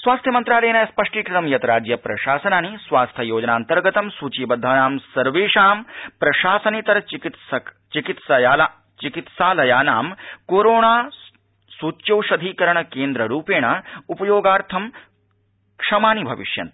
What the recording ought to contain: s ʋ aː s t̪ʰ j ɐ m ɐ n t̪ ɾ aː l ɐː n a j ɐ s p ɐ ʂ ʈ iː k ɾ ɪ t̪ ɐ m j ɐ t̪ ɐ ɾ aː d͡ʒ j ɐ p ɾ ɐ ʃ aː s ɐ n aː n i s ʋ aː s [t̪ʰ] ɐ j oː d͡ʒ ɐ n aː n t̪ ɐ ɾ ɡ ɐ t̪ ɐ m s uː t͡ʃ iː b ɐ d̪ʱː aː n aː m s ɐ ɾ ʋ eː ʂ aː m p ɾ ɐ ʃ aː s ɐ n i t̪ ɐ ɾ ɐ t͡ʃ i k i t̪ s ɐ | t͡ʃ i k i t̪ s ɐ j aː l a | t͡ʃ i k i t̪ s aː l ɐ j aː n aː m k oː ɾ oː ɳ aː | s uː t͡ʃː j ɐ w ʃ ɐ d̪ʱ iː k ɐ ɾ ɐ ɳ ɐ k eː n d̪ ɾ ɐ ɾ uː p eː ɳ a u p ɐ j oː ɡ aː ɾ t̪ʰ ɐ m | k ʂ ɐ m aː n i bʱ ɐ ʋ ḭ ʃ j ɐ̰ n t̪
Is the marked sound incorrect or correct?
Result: correct